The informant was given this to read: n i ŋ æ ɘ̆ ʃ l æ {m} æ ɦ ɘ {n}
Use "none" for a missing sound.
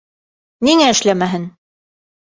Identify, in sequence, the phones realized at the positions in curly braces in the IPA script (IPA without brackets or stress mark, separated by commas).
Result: m, n